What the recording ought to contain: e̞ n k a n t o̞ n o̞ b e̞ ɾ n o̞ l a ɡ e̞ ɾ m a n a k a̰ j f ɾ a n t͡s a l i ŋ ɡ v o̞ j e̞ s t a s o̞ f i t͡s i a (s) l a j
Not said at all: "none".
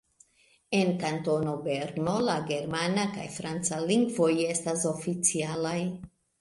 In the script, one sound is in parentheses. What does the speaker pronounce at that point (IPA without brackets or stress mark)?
none